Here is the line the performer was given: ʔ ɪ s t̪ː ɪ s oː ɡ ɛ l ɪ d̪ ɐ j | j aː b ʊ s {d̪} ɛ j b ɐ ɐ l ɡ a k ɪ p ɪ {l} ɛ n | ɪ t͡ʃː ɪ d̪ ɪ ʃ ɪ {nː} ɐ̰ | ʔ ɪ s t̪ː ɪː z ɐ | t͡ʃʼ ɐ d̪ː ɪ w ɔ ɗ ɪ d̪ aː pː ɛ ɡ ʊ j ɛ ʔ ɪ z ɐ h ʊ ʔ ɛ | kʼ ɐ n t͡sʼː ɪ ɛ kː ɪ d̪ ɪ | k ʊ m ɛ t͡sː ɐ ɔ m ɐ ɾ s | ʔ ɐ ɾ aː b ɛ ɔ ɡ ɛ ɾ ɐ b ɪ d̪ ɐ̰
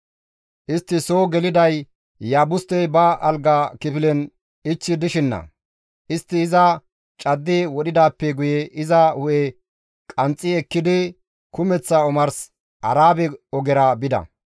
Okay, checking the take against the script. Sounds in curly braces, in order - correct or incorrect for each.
incorrect, correct, correct

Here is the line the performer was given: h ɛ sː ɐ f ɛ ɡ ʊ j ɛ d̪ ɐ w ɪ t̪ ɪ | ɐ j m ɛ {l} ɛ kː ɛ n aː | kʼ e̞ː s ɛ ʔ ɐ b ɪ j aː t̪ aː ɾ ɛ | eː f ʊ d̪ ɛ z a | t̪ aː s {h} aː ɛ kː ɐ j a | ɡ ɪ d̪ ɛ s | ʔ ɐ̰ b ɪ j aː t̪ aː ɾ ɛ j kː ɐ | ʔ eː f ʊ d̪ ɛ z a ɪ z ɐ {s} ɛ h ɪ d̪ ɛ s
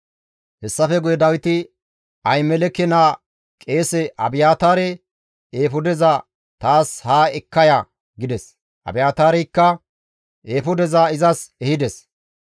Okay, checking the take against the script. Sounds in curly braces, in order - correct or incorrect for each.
correct, correct, correct

